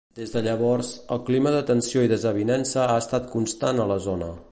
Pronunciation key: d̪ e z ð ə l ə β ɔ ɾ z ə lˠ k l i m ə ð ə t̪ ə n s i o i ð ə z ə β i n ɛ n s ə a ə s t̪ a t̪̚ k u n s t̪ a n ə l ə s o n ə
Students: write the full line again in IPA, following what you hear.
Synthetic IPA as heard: d̪ e z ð ə ʎ ə β ɔ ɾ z ə lˠ k l i m ə ð ə t̪ ə n s i o i ð ə z ə β i n ɛ n s ə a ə s t̪ a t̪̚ k u n s t̪ a n ə l ə z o n ə

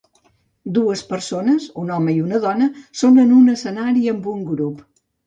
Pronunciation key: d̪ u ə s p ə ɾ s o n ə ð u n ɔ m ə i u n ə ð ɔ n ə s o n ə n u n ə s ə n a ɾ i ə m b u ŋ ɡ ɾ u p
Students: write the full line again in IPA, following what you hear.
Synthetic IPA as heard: d̪ u ə s p ə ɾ s o n ə z u n ɔ m ə i u n ə ð ɔ n ə s o n ə n u n ə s ə n a ɾ i ə m b u ŋ ɡ ɾ u p

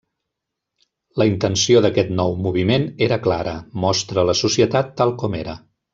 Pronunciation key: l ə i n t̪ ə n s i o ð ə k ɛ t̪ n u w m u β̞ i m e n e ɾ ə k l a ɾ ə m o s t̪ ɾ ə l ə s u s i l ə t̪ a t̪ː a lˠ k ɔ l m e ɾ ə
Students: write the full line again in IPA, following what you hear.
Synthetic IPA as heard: l ə i n t̪ ə n s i o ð ə k ɛ t̪ n ɔ w m u β̞ i m e n e ɾ ə k l a ɾ ə m ɔ s t̪ ɾ ə l ə s u s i ə t̪ a t̪ː a lˠ k ɔ m e ɾ ə

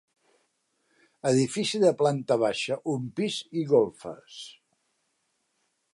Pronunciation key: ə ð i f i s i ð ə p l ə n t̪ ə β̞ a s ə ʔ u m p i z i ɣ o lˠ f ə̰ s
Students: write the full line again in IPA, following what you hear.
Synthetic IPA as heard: ə ð i f i s i ð ə p l a n t̪ ə β̞ a ʃ ə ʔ u m p i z i ɣ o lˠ f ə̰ s

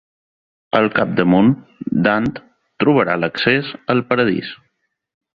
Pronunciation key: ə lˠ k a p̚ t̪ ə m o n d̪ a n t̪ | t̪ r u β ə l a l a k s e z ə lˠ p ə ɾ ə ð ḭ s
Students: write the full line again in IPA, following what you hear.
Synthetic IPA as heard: ə lˠ k a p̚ d̪ ə m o n d̪ a n t̪ | t̪ ɾ u β ə ɾ a l ə k s e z ə lˠ p ə ɾ ə ð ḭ s

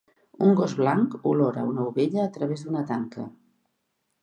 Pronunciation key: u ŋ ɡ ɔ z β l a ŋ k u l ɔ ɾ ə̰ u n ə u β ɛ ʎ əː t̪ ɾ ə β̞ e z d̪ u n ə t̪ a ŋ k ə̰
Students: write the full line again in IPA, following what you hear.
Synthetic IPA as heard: u ŋ ɡ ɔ z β l a ŋ k u l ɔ ɾ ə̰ u n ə u β e ʎ əː t̪ ɾ ə β̞ e z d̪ u n ə t̪ a ŋ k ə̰

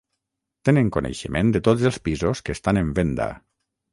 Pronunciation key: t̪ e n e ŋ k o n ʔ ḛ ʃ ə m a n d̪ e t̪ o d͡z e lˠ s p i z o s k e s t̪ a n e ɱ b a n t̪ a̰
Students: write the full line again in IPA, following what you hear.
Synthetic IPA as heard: t̪ e n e ŋ k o n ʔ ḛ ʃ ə m e n d̪ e t̪ o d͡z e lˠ s p i z o s k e s t̪ a n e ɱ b e n d̪ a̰

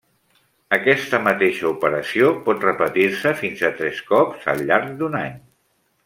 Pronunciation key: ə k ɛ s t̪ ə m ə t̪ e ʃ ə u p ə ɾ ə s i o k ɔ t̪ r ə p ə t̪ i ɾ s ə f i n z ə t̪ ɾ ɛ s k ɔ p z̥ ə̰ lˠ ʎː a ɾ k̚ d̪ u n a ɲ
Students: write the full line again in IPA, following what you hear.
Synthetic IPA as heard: ə k ɛ s t̪ ə m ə t̪ e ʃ ə u p ə ɾ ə s i o p ɔ t̪ r ə p ə t̪ i ɾ s ə f i n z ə t̪ ɾ ɛ s k ɔ p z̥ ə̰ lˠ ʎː a ɾ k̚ d̪ u n a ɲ

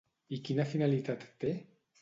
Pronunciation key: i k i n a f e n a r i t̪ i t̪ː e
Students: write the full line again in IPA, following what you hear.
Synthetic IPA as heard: i k i n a f i n a l i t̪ a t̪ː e

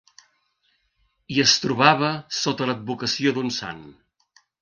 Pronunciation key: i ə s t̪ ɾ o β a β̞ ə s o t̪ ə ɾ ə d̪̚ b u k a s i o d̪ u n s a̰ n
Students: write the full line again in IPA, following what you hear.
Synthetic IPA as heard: i ə s t̪ ɾ u β a β̞ ə s o t̪ ə l ə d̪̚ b u k ə s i o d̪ u n s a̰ n

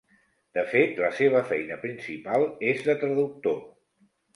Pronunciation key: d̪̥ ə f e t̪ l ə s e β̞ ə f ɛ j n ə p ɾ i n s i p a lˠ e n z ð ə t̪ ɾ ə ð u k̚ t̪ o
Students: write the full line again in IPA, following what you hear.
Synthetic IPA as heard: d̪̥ ə f e t̪ l ə s e β̞ ə f ɛ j n ə p ɾ i n s i p a lˠ e z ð ə t̪ ɾ ə ð u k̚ t̪ o

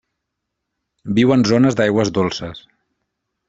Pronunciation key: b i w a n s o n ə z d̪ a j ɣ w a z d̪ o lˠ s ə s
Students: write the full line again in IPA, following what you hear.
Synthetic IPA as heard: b i w ə n z o n ə z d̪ a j ɣ w ə z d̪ o lˠ s ə s

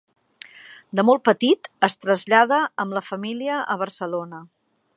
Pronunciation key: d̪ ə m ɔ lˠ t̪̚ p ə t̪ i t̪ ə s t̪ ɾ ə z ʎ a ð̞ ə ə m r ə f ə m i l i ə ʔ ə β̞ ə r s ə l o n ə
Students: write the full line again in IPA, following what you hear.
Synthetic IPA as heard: d̪ ə m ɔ lˠ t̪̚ p ə t̪ i t̪ ə s t̪ ɾ ə z ʎ a ð̞ ə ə m l ə f ə m i l i ə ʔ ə β̞ ə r s ə l o n ə

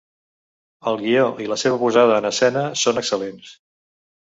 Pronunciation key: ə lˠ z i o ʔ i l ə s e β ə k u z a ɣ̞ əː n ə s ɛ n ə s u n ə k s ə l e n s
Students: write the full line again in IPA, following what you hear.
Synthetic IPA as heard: ə lˠ ɣ i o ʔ i l ə s e β ə p u z a ð̞ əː n ə s ɛ n ə s o n ə k s ə l e n s

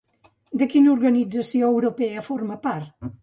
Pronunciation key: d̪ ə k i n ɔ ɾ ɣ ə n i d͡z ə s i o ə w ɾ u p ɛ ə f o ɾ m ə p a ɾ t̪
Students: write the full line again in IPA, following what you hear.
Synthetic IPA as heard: d̪ ə k i n u ɾ ɣ ə n i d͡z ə s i o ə w ɾ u p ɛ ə f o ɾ m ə p a ɾ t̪

